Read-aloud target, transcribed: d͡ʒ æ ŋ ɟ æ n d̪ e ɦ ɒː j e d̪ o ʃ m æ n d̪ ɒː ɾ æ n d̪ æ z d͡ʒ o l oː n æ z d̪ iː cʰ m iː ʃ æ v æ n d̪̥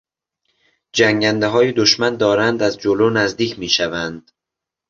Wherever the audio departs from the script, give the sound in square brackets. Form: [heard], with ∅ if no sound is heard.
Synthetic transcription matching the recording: d͡ʒ æ ŋ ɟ æ n d̪ e ɦ ɒː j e d̪ o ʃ m æ n d̪ ɒː ɾ æ n d̪ æ z d͡ʒ o l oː n æ z d̪ iː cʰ m iː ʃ æ v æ n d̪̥